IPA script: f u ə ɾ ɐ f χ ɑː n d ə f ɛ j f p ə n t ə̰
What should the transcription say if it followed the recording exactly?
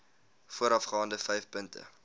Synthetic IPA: f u ə ɾ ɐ f χ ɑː n d ə f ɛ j f p ə n t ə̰